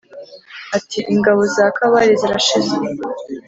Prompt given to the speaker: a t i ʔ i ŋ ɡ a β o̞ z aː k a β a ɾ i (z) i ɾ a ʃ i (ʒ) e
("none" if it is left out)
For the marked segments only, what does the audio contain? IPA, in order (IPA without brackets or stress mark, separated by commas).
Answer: z, z